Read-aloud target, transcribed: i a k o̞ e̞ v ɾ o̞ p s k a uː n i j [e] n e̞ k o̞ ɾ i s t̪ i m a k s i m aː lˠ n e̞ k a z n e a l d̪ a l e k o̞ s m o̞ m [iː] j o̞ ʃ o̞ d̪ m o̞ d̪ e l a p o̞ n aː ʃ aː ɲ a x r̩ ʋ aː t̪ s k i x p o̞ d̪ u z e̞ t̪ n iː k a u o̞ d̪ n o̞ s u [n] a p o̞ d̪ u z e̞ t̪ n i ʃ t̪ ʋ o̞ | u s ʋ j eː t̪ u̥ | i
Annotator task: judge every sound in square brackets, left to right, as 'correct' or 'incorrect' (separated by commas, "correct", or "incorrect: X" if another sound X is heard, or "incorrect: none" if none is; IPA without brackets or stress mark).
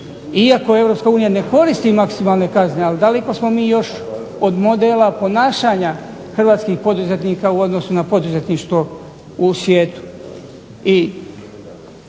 incorrect: a, correct, correct